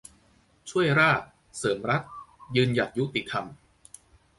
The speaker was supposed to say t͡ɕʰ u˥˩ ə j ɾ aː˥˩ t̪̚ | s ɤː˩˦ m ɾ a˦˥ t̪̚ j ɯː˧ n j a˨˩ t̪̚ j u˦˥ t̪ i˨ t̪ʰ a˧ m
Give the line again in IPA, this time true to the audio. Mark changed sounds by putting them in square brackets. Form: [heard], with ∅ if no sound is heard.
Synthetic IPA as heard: t͡ɕʰ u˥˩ ə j ɾ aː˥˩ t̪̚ | s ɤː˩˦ m ɾ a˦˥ t̪̚ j ɯː˧ n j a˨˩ t̪̚ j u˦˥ t̪ i˨ t̪ʰ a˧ m